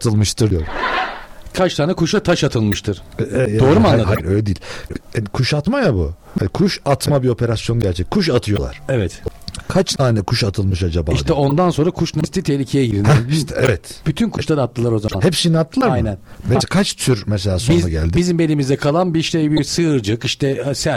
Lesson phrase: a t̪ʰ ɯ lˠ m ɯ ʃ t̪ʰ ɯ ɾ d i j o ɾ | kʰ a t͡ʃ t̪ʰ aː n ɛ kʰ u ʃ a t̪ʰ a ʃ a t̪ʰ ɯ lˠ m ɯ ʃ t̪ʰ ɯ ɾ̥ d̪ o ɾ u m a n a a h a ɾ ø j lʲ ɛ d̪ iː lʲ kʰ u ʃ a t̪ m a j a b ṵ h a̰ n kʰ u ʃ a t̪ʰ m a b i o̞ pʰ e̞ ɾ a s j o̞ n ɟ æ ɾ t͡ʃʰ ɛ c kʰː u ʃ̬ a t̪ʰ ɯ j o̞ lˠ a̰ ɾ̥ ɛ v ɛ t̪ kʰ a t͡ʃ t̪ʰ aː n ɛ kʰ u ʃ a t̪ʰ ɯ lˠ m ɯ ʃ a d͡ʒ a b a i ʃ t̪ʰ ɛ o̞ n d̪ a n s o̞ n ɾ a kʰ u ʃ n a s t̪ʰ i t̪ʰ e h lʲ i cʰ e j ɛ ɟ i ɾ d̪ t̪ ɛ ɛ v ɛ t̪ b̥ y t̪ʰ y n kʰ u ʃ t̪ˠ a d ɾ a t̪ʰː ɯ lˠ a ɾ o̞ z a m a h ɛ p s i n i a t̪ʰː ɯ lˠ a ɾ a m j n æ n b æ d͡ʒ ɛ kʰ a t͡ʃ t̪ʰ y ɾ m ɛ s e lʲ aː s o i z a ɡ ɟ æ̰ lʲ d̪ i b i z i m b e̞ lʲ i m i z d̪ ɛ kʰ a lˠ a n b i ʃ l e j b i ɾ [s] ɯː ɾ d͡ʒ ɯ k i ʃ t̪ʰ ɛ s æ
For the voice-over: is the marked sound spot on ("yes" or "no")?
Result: yes